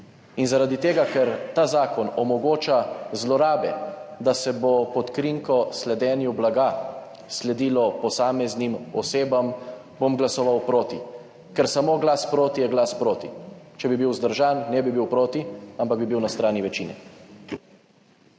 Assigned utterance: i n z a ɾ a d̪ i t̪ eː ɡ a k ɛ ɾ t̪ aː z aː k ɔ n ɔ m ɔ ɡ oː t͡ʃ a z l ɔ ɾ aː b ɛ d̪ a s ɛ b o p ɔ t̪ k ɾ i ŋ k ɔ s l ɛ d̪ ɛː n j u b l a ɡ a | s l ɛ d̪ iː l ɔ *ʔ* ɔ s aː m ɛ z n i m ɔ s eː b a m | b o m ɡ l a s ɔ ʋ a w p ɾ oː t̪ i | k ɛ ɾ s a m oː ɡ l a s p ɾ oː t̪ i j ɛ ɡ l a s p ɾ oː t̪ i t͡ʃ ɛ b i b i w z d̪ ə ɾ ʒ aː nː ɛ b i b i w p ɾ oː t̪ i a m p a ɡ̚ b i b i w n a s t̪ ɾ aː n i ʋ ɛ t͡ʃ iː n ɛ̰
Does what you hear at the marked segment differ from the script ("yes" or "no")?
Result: yes